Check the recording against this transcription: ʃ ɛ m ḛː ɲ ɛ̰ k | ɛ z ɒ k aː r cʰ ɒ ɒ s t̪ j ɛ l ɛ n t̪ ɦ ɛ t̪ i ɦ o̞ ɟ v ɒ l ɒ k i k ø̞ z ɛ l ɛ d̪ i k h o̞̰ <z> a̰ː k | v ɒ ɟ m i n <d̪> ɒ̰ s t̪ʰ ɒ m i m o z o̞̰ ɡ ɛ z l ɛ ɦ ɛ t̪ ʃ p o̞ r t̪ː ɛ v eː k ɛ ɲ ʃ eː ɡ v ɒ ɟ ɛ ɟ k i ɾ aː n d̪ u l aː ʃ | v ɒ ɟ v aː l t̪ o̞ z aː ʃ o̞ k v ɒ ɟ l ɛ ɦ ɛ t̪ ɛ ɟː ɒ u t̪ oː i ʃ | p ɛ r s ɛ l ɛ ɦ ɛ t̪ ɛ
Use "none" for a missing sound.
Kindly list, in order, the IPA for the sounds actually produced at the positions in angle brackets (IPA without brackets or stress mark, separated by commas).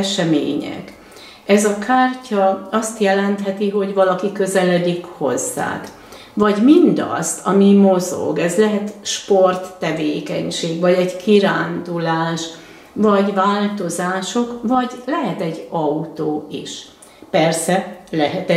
zː, d̪